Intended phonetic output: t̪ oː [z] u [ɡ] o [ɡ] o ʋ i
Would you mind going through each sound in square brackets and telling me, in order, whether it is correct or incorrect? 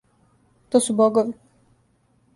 incorrect: s, incorrect: b, correct

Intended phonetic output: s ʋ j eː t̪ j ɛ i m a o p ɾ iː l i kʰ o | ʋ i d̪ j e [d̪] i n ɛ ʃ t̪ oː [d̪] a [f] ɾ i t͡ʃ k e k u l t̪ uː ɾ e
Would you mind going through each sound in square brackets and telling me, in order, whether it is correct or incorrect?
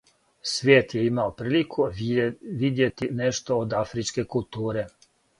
incorrect: t̪, correct, correct

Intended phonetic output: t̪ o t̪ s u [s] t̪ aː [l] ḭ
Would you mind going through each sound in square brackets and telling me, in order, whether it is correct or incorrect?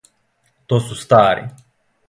correct, incorrect: ɾ

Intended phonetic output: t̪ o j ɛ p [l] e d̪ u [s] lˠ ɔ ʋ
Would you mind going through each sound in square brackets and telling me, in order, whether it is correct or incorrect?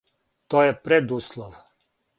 incorrect: ɾ, correct

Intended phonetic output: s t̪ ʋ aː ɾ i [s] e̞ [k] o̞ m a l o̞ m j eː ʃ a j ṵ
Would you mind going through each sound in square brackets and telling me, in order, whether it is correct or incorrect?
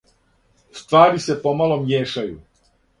correct, incorrect: p

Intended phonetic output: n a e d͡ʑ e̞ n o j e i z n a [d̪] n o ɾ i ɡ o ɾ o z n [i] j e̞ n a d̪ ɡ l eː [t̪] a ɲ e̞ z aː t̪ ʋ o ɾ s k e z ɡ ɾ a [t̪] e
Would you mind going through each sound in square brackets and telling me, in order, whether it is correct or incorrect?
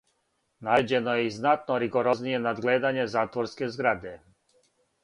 incorrect: t̪, correct, incorrect: d̪, incorrect: d̪

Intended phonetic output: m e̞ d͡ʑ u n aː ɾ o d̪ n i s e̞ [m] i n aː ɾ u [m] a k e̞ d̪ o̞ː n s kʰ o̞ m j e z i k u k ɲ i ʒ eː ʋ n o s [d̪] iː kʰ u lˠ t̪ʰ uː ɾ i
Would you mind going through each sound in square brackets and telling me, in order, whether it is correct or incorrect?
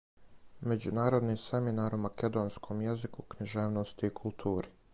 correct, correct, incorrect: t̪

